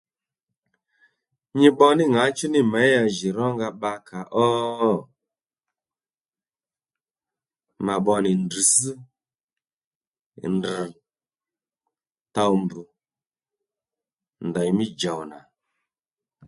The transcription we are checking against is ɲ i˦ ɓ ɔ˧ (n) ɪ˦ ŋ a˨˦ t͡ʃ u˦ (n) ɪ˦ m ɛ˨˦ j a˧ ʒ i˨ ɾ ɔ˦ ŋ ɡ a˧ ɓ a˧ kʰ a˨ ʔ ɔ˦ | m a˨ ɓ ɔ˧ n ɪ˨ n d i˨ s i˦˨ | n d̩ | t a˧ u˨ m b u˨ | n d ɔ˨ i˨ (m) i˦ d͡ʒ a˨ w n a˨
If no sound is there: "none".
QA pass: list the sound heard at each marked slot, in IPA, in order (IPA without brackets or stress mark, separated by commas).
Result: n, n, m